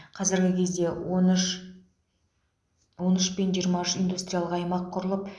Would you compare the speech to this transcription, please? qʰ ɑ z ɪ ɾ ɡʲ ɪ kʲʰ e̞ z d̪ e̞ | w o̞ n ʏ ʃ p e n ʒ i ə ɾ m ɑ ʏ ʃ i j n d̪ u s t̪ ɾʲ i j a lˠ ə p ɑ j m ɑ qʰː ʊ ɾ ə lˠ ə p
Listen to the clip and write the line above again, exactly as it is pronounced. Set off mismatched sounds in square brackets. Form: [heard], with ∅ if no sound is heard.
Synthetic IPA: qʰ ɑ z ɪ ɾ ɡʲ ɪ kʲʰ e̞ z d̪ e̞ | w o̞ n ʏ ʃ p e n ʒ i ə ɾ m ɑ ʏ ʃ i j n d̪ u s t̪ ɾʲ i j a lˠ ə [q] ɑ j m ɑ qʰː ʊ ɾ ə lˠ ə p